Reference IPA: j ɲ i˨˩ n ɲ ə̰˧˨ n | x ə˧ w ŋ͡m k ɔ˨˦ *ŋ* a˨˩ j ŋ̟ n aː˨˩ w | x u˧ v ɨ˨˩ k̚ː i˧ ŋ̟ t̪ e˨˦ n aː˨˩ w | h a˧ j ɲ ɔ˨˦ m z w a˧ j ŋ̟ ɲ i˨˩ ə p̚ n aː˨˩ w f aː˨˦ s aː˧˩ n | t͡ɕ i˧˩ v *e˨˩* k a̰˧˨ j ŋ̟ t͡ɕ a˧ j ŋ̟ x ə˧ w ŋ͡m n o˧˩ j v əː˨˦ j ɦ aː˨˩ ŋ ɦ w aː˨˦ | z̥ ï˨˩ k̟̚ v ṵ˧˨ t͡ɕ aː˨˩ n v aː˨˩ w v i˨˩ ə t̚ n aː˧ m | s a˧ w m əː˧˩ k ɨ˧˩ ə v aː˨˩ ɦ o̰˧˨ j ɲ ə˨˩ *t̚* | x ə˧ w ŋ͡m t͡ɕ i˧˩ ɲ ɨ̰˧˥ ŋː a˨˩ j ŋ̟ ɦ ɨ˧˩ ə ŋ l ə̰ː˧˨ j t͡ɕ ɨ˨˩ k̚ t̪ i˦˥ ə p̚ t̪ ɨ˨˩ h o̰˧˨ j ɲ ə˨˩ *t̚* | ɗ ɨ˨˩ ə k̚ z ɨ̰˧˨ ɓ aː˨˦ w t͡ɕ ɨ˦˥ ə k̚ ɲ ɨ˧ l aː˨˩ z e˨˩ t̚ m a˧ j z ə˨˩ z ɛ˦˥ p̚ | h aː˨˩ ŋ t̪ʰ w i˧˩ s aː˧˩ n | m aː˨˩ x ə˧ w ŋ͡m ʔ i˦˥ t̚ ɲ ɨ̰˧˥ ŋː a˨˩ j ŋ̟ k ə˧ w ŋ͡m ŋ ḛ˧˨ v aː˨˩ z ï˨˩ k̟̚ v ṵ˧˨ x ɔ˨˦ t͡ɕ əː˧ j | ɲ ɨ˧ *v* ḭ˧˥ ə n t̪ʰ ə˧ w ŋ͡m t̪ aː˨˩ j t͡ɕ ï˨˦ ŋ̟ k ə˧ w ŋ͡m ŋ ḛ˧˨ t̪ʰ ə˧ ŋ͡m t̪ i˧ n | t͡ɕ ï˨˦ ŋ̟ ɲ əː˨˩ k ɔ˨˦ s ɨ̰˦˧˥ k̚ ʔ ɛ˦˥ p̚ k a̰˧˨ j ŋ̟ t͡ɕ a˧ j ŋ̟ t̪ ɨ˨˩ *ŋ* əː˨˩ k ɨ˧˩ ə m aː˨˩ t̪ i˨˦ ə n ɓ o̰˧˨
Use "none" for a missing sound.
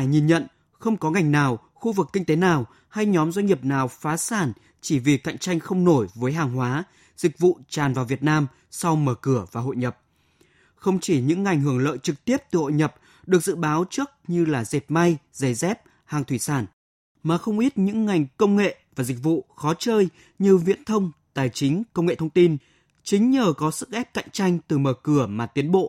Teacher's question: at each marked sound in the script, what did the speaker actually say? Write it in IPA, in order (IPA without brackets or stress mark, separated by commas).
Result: ŋ, i˨˩, p̚, p̚, v, m